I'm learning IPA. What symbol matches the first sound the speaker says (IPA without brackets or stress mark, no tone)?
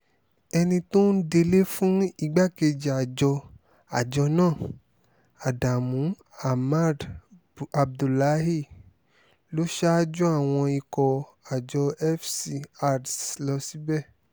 ɛ